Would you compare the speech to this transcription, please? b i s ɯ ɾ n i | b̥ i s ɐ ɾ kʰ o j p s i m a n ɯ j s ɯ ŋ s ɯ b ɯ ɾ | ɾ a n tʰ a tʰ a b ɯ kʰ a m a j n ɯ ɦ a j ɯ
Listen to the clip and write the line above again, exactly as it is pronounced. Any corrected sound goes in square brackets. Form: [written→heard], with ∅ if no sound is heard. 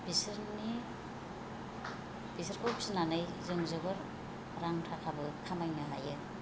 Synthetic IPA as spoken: b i s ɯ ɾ n i | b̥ i s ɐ ɾ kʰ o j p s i [m→n] a n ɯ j [s→z] ɯ ŋ [s→z] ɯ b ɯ ɾ | ɾ a [n→ŋ] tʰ a [tʰ→kʰ] a b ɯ kʰ a m a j n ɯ ɦ a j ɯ